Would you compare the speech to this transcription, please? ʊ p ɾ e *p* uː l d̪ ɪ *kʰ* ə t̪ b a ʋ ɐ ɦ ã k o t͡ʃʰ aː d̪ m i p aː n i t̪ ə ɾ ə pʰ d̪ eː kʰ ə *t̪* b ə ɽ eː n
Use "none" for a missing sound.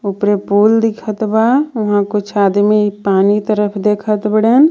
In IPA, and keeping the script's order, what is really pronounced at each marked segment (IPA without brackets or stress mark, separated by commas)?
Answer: p, kʰ, t̪